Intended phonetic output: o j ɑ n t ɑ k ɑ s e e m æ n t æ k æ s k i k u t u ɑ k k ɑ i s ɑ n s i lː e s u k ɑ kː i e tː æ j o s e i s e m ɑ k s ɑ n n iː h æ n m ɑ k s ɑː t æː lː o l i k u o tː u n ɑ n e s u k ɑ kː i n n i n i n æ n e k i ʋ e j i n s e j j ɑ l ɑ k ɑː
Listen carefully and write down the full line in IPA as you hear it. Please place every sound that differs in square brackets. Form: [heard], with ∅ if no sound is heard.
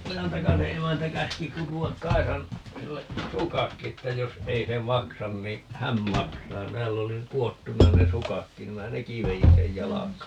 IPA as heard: o j ɑ n t ɑ k ɑ s e e m æ n t æ k æ s k i k u t u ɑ k k ɑ i s ɑ n s i lː e s u k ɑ kː i e tː æ j o s e i s e m ɑ k s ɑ n n [i] h æ n m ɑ k s ɑː t æː lː o l i k u o tː u n ɑ n e s u k ɑ kː i n n i [m] i n æ n e k i ʋ e j i n s e j j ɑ l ɑ k ɑː